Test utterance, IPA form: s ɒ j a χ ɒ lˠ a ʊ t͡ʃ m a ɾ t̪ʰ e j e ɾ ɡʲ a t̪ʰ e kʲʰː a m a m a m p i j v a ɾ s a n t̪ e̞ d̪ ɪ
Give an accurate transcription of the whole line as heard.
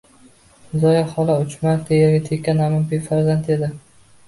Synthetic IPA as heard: z ɒ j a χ ɒ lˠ a ʊ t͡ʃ m a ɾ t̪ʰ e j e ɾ ɡʲ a t̪ʰ e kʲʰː a n a m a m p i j f a ɾ z a n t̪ e̞ d̪ ɪ